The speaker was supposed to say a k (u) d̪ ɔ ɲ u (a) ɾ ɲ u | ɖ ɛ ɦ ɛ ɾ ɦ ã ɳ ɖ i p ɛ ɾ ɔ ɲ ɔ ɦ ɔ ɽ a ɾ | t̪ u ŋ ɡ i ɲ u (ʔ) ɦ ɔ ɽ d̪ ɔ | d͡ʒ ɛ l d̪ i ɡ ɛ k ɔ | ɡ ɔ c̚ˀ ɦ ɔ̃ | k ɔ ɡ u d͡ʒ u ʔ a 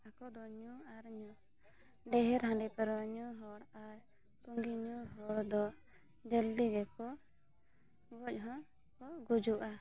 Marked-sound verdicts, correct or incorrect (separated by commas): incorrect, correct, incorrect